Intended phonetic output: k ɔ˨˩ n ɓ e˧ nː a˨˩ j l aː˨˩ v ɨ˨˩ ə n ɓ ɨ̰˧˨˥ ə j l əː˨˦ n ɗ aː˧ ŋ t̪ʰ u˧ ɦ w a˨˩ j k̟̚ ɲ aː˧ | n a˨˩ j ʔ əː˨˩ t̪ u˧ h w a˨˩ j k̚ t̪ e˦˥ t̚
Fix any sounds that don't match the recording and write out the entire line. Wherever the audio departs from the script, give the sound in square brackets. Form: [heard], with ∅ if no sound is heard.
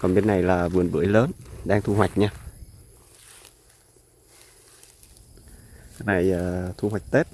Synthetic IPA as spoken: k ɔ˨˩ n ɓ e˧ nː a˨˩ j l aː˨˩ v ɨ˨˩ ə n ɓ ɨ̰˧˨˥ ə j l əː˨˦ n ɗ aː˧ ŋ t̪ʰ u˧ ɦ w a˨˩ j k̟̚ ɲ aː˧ | n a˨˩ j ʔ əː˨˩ [t̪ʰ] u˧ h w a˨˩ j k̚ t̪ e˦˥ t̚